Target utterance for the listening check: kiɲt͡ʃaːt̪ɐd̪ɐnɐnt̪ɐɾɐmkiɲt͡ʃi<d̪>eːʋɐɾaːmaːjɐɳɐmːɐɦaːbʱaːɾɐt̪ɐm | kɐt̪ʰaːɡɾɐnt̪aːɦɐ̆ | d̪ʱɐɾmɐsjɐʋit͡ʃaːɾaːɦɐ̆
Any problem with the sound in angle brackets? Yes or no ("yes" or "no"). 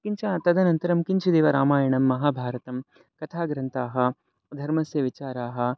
no